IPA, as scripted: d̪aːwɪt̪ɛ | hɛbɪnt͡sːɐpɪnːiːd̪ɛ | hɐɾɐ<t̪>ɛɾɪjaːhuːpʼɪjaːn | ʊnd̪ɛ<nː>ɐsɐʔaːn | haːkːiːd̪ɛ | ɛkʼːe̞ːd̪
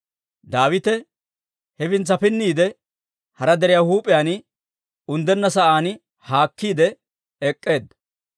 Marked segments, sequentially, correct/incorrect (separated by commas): incorrect, correct